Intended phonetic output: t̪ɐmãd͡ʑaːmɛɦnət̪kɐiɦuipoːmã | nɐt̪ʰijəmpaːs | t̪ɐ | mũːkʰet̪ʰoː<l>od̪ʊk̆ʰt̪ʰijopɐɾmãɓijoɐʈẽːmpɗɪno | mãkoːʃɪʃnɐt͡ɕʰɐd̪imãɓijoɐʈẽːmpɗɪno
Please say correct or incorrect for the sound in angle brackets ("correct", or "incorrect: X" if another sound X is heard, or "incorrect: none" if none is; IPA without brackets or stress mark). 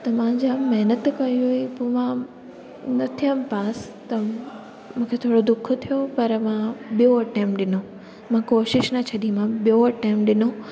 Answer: incorrect: ɽ